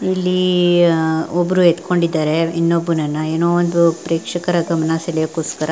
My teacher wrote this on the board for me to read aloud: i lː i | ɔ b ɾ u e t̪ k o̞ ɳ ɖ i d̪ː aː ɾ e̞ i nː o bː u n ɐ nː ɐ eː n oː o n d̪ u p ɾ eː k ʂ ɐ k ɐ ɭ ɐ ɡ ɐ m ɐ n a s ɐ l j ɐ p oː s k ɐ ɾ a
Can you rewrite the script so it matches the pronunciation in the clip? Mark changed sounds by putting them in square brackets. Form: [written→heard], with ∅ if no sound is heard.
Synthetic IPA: i lː i | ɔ b ɾ u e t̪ k o̞ ɳ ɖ i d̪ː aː ɾ e̞ i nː o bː u n ɐ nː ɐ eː n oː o n d̪ u p ɾ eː k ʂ ɐ k ɐ [ɭ→ɾ] ɐ ɡ ɐ m ɐ n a s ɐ l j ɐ [p→k] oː s k ɐ ɾ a

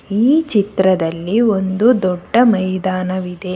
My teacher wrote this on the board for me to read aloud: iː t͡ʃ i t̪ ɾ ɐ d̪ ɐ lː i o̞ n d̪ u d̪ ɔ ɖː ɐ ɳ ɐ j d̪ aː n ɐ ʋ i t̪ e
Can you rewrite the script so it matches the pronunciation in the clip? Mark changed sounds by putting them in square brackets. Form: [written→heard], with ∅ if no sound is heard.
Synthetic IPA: iː t͡ʃ i t̪ ɾ ɐ d̪ ɐ lː i o̞ n d̪ u d̪ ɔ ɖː ɐ [ɳ→m] ɐ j d̪ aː n ɐ ʋ i [t̪→d̪] e

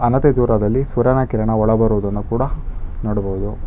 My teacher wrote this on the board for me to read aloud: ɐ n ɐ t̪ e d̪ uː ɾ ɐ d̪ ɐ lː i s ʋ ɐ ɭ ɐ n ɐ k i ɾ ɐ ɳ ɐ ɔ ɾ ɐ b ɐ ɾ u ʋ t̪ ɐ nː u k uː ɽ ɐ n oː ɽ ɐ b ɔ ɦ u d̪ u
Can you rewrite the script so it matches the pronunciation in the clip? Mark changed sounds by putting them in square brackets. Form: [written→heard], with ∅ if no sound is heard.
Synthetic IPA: ɐ n ɐ t̪ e d̪ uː ɾ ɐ d̪ ɐ lː i s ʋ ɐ [ɭ→ɾ] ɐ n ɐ k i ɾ ɐ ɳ ɐ ɔ [ɾ→ɭ] ɐ b ɐ ɾ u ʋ [t̪→d̪] ɐ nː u k uː ɽ ɐ n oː ɽ ɐ b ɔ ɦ u d̪ u

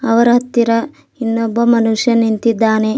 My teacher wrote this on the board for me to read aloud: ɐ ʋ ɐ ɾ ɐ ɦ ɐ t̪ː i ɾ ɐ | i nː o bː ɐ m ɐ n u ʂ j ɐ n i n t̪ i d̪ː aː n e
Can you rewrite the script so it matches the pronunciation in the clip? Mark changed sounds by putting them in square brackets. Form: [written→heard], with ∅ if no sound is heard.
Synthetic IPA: ɐ ʋ ɐ ɾ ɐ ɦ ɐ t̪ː i ɾ ɐ | i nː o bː ɐ m ɐ n u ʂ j ɐ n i n t̪ i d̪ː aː n e

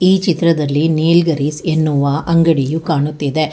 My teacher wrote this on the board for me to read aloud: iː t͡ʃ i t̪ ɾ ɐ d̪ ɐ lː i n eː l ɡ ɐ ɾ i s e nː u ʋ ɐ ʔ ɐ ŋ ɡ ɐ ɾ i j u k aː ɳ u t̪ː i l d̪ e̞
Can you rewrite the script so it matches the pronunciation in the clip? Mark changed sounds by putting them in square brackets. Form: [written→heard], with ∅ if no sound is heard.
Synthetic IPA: iː t͡ʃ i t̪ ɾ ɐ d̪ ɐ lː i n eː l ɡ ɐ ɾ i s e nː u ʋ ɐ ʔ ɐ ŋ ɡ ɐ [ɾ→ɽ] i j u k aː ɳ u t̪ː i [l→∅] d̪ e̞

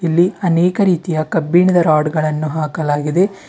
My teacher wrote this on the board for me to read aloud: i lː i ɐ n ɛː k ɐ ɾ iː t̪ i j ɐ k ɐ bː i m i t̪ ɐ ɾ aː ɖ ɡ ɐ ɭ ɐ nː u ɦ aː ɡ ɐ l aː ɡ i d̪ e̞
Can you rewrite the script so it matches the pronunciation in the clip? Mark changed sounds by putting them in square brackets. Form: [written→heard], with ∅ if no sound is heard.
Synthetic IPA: i lː i ɐ n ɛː k ɐ ɾ iː t̪ i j ɐ k ɐ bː i [m→ɳ] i [t̪→d̪] ɐ ɾ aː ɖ ɡ ɐ ɭ ɐ nː u ɦ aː [ɡ→k] ɐ l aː ɡ i d̪ e̞

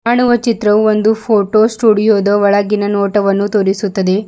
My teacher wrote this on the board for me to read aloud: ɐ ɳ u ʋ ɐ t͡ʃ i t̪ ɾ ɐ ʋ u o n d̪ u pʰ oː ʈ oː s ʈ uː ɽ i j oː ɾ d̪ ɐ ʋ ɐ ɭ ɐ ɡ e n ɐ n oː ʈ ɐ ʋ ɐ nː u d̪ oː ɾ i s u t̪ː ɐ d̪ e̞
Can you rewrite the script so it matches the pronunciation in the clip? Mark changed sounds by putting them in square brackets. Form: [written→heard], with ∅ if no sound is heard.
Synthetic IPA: ɐ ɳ u ʋ ɐ t͡ʃ i t̪ ɾ ɐ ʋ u o n d̪ u pʰ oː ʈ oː s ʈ uː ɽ i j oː [ɾ→∅] d̪ ɐ ʋ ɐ ɭ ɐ ɡ [e→i] n ɐ n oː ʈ ɐ ʋ ɐ nː u [d̪→t̪] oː ɾ i s u t̪ː ɐ d̪ e̞

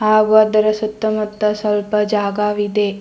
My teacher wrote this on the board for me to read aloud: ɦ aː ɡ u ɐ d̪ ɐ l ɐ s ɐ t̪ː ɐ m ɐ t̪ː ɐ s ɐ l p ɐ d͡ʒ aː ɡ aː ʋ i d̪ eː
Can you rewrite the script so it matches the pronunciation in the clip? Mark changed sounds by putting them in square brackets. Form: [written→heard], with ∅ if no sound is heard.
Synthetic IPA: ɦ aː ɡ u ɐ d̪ ɐ [l→ɾ] ɐ s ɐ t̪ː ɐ m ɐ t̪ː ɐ s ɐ l p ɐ d͡ʒ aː ɡ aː ʋ i d̪ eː

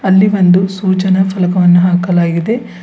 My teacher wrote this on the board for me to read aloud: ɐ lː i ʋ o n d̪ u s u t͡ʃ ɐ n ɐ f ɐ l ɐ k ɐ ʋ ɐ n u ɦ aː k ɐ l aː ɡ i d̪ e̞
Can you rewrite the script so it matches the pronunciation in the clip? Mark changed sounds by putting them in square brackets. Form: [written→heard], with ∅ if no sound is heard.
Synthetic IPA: ɐ lː i ʋ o n d̪ u s [u→uː] t͡ʃ ɐ n ɐ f ɐ l ɐ k ɐ ʋ ɐ [n→nː] u ɦ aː k ɐ l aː ɡ i d̪ e̞

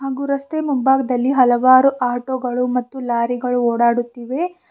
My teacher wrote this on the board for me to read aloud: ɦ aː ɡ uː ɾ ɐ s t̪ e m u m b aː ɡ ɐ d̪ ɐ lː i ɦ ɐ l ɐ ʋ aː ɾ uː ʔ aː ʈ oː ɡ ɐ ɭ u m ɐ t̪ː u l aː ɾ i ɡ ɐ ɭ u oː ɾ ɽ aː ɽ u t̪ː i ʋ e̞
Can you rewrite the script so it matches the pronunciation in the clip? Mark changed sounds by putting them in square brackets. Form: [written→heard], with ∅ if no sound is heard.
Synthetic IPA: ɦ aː ɡ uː ɾ ɐ s t̪ e m u m b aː ɡ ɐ d̪ ɐ lː i ɦ ɐ l ɐ ʋ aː ɾ [uː→u] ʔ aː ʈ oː ɡ ɐ ɭ u m ɐ t̪ː u l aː ɾ i ɡ ɐ ɭ u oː [ɾ→∅] ɽ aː ɽ u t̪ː i ʋ e̞

